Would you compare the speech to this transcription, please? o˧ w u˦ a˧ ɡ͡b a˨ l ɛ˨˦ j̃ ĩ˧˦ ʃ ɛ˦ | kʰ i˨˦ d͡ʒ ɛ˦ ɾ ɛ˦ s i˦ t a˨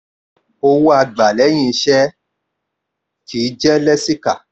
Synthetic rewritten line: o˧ w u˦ a˧ ɡ͡b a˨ l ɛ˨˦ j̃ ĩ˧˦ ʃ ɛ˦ | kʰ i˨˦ d͡ʒ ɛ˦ l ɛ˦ s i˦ k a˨

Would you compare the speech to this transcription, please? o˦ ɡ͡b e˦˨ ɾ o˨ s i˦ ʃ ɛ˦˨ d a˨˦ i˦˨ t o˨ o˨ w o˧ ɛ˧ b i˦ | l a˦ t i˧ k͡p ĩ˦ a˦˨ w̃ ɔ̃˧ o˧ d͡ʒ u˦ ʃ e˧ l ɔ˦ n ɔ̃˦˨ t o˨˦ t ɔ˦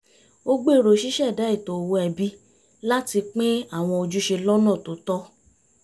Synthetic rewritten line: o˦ ɡ͡b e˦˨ ɾ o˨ ʃ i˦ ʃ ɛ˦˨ d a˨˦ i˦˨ t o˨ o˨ w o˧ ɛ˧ b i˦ | l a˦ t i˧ k͡p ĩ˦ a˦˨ w̃ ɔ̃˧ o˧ d͡ʒ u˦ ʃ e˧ l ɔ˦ n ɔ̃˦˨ t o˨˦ t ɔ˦

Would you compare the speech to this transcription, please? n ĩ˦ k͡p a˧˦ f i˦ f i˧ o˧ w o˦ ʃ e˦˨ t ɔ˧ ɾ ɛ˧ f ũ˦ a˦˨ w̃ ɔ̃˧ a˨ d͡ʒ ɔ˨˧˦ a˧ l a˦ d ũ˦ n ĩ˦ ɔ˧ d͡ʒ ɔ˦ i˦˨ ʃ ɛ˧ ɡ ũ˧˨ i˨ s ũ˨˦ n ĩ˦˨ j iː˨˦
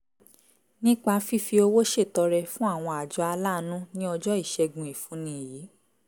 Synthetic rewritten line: n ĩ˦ k͡p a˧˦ f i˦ f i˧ o˧ w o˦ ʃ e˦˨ t ɔ˧ ɾ ɛ˧ f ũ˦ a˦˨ w̃ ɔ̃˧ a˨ d͡ʒ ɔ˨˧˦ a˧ l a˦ n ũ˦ n ĩ˦ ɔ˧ d͡ʒ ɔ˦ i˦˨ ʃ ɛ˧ ɡ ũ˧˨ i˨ f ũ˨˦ n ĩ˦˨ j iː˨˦

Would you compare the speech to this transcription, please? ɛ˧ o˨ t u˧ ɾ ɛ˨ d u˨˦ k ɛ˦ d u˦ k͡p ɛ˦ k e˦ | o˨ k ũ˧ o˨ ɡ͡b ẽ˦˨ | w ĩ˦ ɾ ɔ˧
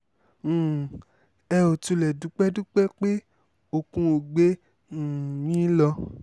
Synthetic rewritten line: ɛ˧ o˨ t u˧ l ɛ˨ d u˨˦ k͡p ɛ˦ d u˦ k͡p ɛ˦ k͡p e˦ | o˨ k ũ˧ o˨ ɡ͡b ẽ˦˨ | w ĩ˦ l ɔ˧

